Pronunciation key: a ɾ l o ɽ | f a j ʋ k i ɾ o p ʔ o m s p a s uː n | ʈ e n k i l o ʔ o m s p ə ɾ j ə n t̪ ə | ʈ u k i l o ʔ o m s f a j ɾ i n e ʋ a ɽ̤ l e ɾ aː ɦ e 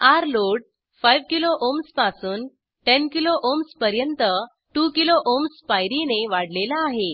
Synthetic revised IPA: a ɾ l o ɽ | f a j ʋ k i l o ʔ o m s p a s uː n | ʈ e n k i l o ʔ o m s p ə ɾ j ə n t̪ ə | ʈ u k i l o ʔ o m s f a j ɾ i n e ʋ a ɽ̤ l e l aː ɦ e